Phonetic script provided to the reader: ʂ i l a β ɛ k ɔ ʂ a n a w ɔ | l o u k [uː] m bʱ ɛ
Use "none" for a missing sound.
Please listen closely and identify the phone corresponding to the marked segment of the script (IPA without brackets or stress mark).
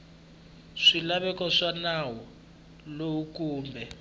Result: uː